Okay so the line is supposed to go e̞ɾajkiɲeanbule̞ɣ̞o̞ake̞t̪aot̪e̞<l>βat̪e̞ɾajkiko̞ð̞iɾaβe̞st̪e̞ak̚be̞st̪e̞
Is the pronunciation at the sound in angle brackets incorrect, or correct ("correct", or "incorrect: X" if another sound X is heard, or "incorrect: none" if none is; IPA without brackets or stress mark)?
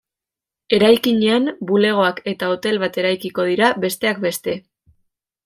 correct